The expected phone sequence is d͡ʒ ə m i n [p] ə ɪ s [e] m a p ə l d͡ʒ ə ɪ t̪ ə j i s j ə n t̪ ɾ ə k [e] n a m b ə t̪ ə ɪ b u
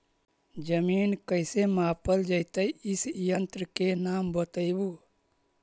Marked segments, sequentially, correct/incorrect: incorrect, correct, correct

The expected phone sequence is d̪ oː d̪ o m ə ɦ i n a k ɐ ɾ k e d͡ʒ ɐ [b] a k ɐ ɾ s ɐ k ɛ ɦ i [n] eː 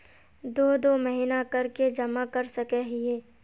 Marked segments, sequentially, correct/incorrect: incorrect, incorrect

